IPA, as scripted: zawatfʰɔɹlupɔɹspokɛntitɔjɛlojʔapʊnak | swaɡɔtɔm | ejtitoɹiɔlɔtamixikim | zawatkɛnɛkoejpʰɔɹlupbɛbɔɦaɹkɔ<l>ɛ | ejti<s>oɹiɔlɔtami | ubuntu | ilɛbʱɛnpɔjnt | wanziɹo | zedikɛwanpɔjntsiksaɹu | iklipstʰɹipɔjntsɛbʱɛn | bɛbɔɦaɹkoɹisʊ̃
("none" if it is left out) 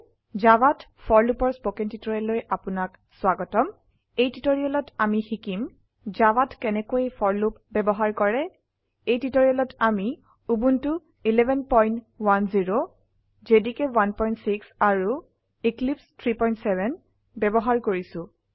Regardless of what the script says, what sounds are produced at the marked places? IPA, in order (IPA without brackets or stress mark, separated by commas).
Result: ɹ, t